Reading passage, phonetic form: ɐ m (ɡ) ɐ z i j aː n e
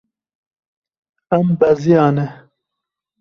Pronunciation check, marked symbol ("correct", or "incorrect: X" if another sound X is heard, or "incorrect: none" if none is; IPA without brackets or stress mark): incorrect: b